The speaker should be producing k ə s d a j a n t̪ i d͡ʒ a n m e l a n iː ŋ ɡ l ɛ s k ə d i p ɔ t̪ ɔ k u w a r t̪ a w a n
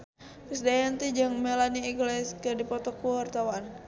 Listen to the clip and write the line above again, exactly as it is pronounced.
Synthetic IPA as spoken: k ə s d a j a n t̪ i d͡ʒ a ŋ m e l a n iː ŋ ɡ l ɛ s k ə d i p ɔ t̪ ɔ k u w a r t̪ a w a n